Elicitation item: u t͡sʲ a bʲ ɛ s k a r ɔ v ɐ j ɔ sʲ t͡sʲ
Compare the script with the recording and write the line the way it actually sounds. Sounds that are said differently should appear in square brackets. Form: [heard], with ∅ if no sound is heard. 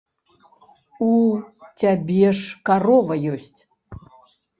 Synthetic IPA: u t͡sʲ a bʲ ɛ [ʂ] k a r ɔ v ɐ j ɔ sʲ t͡sʲ